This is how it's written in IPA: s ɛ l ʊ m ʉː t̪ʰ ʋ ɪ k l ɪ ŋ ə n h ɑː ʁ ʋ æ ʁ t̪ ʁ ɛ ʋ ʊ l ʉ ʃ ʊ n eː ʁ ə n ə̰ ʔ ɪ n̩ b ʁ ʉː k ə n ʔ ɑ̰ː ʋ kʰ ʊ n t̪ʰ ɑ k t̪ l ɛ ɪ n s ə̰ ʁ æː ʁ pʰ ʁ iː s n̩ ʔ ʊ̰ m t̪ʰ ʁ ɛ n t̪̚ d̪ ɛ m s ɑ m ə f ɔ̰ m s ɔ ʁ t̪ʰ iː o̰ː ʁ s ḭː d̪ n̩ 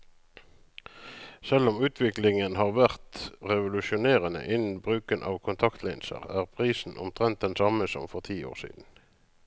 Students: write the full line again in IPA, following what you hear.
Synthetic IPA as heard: s ɛ l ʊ m ʉː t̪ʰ ʋ ɪ k l ɪ ŋ ə n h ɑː ʁ ʋ æ ʁ t̪ ʁ ɛ ʋ ʊ l ʉ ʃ ʊ n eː ʁ ə n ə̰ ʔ ɪ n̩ b ʁ ʉː k ə n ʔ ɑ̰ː ʋ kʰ ʊ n t̪ʰ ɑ k t̪ l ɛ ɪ n s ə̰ ʁ æː ʁ pʰ ʁ iː s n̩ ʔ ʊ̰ m t̪ʰ ʁ ɛ n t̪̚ d̪ ɛ n s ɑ m ə s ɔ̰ m f ɔ ʁ t̪ʰ iː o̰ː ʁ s ḭː d̪ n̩